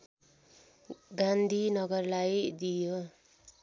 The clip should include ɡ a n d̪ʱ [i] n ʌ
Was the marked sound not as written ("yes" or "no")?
no